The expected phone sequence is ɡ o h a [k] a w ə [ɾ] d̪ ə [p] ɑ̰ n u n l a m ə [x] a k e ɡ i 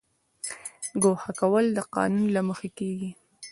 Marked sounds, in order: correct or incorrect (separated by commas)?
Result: correct, incorrect, incorrect, correct